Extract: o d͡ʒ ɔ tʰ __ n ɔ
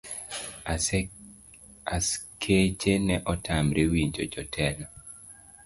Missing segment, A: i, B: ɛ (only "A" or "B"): B